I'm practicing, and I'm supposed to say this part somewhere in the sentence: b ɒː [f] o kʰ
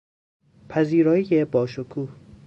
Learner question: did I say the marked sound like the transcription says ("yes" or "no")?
no